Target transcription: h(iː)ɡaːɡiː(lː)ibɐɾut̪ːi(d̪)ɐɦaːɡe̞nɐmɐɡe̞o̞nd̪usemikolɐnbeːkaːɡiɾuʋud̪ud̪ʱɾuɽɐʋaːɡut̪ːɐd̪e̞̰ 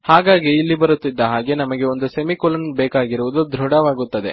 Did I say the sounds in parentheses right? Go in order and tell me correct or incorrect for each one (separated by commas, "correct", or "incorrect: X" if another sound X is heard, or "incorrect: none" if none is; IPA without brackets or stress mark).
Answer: incorrect: aː, correct, incorrect: d̪ː